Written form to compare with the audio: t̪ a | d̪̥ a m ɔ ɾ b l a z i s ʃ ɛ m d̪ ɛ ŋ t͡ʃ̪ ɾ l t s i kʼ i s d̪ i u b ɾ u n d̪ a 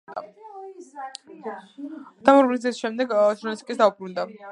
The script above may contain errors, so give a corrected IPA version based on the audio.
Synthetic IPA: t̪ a | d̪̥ a m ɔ ɾ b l i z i s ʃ ɛ m d̪ ɛ ɡ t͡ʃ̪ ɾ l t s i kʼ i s d̪ a u b ɾ u n d̪ a